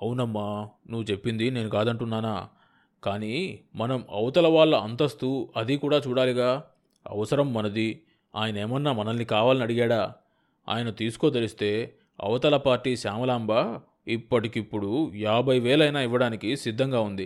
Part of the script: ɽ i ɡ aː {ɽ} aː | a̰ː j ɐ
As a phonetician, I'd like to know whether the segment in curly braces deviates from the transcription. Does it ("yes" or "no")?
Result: no